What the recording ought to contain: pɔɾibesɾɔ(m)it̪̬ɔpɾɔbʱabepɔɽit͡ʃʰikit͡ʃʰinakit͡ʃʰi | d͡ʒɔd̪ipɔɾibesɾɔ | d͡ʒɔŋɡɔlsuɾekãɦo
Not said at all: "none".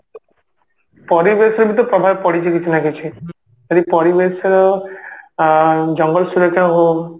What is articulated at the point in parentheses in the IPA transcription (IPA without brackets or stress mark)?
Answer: b